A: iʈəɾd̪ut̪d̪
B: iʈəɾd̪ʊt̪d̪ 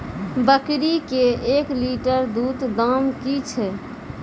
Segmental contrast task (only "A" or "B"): A